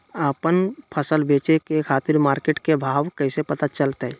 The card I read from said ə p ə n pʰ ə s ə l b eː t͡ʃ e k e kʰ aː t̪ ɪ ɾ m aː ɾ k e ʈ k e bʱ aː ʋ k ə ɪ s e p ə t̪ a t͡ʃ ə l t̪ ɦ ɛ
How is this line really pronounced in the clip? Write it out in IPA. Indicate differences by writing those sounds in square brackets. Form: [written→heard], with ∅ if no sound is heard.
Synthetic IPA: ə p ə n pʰ ə s ə l b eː t͡ʃ e k e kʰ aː t̪ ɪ ɾ m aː ɾ k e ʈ k e bʱ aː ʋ k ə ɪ s e p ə t̪ a t͡ʃ ə l t̪ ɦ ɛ